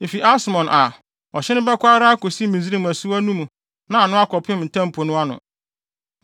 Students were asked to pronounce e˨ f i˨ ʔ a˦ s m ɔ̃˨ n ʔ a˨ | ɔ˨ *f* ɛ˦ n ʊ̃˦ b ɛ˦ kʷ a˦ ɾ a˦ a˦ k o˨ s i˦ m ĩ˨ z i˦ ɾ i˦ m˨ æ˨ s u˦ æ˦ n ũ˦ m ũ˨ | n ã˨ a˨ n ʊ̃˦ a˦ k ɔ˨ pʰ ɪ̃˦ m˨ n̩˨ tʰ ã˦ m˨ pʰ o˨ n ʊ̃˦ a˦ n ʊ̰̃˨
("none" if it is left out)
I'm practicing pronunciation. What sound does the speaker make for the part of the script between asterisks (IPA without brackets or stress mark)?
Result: ɕ